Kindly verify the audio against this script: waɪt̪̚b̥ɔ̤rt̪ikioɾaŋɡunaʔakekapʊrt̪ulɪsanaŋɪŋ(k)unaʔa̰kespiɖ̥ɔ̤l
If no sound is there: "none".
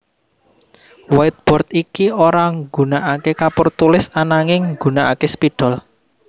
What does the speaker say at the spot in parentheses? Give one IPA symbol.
ɡ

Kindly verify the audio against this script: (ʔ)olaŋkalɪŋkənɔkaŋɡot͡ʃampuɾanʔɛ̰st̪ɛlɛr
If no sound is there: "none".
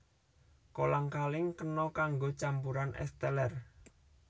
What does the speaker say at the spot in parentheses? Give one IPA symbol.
k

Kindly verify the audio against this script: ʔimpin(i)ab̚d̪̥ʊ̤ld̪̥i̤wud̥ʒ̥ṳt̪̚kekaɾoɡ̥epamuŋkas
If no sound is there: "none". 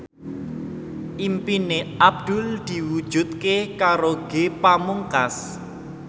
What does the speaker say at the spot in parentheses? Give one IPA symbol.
e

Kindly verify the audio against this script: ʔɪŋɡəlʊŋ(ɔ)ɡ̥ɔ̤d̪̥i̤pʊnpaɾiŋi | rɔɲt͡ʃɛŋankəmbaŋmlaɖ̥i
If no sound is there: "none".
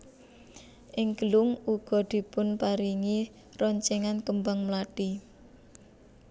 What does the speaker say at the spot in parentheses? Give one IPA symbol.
u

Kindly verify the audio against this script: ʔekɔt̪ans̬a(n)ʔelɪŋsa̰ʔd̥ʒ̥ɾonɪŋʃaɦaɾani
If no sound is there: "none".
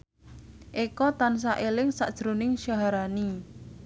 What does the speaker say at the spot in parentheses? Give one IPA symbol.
none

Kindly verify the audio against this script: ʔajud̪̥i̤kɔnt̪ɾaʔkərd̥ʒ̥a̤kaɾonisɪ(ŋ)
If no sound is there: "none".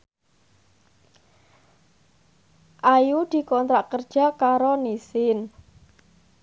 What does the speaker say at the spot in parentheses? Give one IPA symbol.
n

